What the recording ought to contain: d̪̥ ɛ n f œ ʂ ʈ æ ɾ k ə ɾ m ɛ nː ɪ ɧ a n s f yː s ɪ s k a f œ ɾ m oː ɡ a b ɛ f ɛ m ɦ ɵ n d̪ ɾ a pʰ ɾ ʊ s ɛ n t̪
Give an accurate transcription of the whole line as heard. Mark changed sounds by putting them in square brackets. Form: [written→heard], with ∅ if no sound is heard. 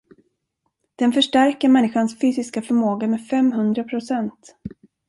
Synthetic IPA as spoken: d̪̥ ɛ n f œ ʂ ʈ æ ɾ k ə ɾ m ɛ nː ɪ ɧ a n s f yː s ɪ s k a f œ ɾ m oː ɡ a [b→m] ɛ f ɛ m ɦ ɵ n d̪ ɾ a pʰ ɾ ʊ s ɛ n t̪